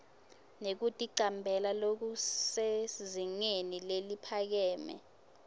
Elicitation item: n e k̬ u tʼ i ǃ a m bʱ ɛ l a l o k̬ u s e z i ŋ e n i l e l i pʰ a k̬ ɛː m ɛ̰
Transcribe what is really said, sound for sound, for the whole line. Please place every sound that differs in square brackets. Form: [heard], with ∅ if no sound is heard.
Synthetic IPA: n e k̬ u tʼ i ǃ a m bʱ ɛ l a l o k̬ u s e z i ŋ e n i l e l i pʰ a k̬ ɛː m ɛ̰